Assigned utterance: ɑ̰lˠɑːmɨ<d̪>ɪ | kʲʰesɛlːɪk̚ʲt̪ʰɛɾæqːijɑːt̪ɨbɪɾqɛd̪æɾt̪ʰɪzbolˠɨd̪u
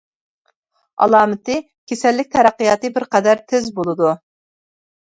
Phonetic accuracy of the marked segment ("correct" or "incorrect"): incorrect